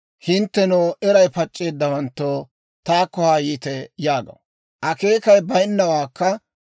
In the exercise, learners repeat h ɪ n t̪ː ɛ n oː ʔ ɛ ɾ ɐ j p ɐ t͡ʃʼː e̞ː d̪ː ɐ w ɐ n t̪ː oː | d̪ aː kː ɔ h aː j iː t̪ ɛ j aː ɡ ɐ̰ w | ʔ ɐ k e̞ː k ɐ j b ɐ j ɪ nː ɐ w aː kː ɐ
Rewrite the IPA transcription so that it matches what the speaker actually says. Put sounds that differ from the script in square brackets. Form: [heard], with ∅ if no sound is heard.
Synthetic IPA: h ɪ n t̪ː ɛ n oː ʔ ɛ ɾ ɐ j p ɐ t͡ʃʼː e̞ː d̪ː ɐ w ɐ n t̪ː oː | [t̪] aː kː ɔ h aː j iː t̪ ɛ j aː ɡ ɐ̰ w | ʔ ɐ k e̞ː k ɐ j b ɐ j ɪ nː ɐ w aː kː ɐ